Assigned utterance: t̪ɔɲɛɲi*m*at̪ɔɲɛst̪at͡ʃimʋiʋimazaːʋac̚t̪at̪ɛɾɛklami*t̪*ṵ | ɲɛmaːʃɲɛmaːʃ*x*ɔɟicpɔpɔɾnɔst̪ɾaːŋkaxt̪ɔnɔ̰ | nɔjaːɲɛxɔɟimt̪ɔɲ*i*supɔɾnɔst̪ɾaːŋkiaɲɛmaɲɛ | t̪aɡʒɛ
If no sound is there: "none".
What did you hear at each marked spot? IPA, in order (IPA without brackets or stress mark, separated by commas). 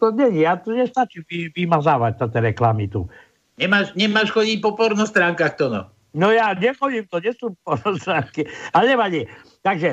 none, t̪, x, ɛ